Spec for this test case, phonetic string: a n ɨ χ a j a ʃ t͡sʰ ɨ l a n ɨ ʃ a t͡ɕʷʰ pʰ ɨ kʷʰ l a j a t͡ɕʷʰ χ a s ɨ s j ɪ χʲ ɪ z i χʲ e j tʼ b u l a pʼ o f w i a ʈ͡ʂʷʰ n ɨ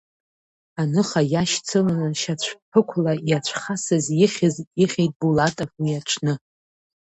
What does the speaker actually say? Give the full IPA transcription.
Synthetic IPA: a n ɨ χ a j a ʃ t͡sʰ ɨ l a n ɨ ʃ a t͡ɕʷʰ pʰ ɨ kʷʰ l a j a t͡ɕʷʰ χ a s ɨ z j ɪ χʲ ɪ z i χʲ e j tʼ b u l a tʼ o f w i a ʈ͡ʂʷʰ n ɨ

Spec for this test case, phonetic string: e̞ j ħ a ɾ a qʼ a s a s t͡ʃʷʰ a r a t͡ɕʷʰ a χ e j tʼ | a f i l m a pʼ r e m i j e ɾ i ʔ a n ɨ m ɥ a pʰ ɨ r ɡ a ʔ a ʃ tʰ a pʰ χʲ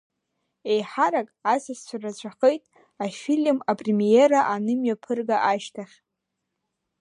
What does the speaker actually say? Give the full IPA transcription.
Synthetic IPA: e̞ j ħ a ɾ a kʼ a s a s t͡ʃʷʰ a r a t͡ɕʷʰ a χ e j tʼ | a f i l m a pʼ r e m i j e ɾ a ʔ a n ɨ m ɥ a pʰ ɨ r ɡ a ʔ a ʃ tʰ a χʲ

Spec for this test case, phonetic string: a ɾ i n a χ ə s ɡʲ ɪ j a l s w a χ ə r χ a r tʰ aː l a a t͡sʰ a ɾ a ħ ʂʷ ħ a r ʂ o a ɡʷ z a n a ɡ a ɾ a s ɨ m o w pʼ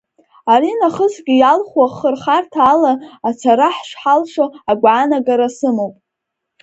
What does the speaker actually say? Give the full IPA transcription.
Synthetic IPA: a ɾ i n a χ ə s ɡʲ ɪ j a l χ w a χ ə r χ a r tʰ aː l a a t͡sʰ a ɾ a ħ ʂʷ ħ a l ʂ o a ɡʷ ʕ a n a ɡ a ɾ a s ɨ m o w pʼ

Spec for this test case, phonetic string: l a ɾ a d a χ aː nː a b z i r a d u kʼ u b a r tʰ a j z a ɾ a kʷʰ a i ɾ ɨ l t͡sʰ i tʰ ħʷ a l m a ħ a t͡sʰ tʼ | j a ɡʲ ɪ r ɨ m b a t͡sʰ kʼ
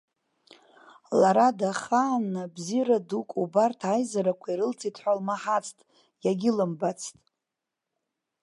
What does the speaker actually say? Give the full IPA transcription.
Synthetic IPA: l a ɾ a d a χ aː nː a b z i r a d u kʼ u b a r tʰ a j z a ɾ a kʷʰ a i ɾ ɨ l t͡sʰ i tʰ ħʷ a l m a ħ a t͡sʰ tʼ | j a ɡʲ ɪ l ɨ m b a t͡sʰ tʼ

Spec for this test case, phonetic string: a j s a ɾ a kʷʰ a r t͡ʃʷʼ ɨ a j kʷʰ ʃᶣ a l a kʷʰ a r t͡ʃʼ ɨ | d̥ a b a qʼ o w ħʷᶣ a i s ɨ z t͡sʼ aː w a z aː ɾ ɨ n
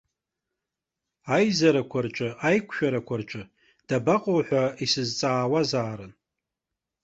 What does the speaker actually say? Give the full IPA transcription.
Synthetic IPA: a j z a ɾ a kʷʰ a r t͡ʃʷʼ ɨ a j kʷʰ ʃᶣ a ɾ a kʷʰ a r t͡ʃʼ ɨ | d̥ a b a qʼ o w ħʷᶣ a i s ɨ z t͡sʼ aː w a z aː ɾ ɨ n

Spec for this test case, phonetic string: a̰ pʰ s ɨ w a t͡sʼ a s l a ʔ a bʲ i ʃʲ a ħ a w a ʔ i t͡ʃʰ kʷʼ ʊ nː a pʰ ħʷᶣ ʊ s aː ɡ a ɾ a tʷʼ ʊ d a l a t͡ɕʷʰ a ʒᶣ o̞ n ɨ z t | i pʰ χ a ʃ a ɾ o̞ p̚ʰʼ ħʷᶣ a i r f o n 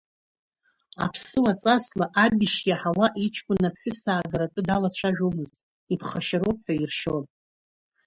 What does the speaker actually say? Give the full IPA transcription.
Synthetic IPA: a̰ pʰ s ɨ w a t͡sʼ a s l a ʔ a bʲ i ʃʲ a ħ a w a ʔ i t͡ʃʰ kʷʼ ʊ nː a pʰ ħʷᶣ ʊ s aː ɡ a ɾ a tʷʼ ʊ d a l a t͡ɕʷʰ a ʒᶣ o̞ m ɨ z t | i pʰ χ a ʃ a ɾ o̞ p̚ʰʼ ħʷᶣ a i r ʃ o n

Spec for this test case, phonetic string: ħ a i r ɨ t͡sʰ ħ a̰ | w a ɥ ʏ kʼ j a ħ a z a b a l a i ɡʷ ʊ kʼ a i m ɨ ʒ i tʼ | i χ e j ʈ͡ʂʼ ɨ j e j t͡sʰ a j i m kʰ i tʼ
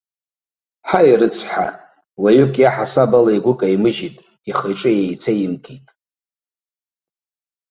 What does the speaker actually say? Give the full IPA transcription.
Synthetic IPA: ħ a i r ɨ t͡sʰ ħ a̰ | w a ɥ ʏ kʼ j a ħ a s a b a l a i ɡʷ ʊ kʼ a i m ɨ ʒ i tʼ | i χ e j ʈ͡ʂʼ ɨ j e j t͡sʰ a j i m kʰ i tʼ

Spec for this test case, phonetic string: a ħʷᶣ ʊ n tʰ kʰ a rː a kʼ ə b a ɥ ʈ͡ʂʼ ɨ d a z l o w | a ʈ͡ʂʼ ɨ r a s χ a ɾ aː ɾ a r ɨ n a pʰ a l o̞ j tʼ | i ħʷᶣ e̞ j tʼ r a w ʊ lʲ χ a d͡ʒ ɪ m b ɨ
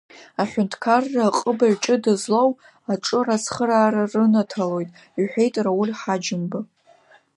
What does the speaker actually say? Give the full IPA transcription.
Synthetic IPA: a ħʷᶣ ʊ n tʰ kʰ a rː a qʼ ə b a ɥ ʈ͡ʂʼ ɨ d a z l o w | a ʈ͡ʂʼ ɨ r a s χ ə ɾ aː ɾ a r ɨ n a tʰ a l o̞ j tʼ | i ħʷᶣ e̞ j tʼ r a w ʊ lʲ ħ a d͡ʒ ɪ m b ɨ

